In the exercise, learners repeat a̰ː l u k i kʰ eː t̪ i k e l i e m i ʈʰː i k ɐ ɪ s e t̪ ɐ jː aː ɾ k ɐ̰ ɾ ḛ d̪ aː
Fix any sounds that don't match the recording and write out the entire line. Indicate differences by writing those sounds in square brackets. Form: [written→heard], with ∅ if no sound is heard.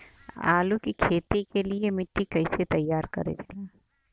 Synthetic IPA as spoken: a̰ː l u k i kʰ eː t̪ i k e l i e m [i→ɪ] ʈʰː i k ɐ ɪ s e t̪ ɐ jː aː ɾ k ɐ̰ ɾ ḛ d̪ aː